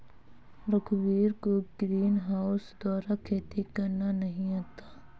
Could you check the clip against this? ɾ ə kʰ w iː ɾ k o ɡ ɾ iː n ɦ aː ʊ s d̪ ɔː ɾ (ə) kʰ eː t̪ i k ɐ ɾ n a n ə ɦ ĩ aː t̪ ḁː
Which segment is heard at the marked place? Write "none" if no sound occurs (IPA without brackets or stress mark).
a